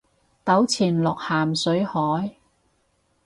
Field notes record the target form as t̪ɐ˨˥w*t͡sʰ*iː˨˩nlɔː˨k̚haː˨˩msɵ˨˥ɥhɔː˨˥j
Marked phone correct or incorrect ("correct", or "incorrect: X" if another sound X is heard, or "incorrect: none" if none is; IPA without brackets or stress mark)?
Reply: correct